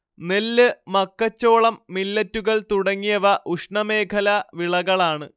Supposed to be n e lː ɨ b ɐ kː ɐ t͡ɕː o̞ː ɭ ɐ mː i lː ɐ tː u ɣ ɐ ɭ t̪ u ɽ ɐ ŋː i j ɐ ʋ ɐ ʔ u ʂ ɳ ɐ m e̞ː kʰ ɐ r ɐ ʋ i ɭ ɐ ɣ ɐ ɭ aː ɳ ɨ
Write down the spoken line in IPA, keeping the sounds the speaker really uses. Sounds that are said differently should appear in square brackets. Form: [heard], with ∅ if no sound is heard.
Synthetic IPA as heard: n e lː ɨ [m] ɐ kː ɐ t͡ɕː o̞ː ɭ ɐ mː i lː ɐ tː u ɣ ɐ ɭ t̪ u ɽ ɐ ŋː i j ɐ ʋ ɐ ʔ u ʂ ɳ ɐ m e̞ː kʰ ɐ [l] ɐ ʋ i ɭ ɐ ɣ ɐ ɭ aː ɳ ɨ